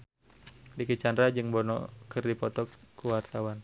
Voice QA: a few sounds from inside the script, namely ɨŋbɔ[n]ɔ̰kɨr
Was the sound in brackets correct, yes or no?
yes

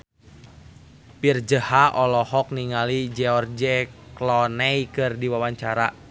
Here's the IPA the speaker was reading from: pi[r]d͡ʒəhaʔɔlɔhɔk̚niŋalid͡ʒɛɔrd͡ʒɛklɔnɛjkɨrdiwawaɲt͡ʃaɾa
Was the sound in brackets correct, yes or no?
yes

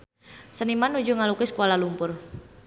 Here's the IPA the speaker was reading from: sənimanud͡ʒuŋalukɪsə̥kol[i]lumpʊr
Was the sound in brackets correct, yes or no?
no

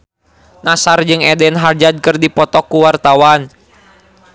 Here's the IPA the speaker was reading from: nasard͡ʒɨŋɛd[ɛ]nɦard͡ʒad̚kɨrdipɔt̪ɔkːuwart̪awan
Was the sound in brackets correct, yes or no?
yes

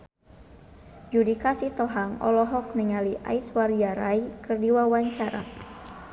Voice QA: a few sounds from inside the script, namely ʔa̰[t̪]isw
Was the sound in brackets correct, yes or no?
no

